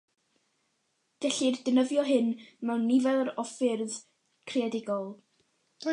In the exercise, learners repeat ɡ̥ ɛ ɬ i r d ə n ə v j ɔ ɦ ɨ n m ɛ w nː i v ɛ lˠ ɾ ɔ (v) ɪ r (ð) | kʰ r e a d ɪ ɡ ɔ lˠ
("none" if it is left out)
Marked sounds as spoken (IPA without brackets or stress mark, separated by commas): f, ð